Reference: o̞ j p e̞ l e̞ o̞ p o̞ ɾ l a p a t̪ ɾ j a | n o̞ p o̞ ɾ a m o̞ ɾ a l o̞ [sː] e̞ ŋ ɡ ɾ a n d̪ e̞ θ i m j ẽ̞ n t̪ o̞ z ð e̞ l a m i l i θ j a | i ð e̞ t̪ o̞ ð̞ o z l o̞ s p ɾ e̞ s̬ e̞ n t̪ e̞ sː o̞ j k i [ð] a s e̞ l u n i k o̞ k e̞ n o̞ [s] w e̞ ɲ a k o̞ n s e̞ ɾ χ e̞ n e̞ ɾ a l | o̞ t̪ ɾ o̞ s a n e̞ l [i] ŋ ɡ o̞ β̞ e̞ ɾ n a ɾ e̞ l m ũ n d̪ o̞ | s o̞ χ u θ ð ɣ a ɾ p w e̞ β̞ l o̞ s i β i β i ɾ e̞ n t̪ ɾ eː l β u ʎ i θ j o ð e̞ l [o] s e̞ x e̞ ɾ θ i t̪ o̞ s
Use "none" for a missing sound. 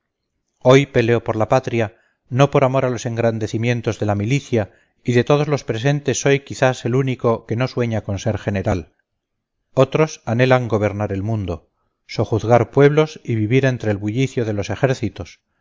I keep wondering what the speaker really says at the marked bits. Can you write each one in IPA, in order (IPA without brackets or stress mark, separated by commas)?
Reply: s, θ, s, a, o